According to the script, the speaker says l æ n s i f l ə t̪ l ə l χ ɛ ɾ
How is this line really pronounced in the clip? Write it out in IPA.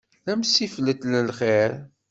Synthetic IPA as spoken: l æ m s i f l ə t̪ l ə l χ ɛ ɾ